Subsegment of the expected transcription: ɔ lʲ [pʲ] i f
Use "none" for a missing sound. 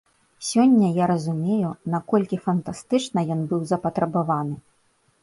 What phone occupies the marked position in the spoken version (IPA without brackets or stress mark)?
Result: kʲ